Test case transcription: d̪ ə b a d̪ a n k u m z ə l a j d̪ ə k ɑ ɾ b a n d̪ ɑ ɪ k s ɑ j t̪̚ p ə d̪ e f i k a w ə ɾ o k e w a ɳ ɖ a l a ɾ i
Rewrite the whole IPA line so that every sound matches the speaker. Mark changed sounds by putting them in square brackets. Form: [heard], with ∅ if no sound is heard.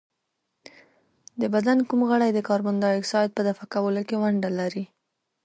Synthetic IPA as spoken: d̪ ə b a d̪ a n k u m [ɣ] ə [ɽ] a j d̪ ə k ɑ ɾ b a n d̪ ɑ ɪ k s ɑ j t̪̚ p ə d̪ [a] f [a] k a w ə [l] o k e w a ɳ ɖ a l a ɾ i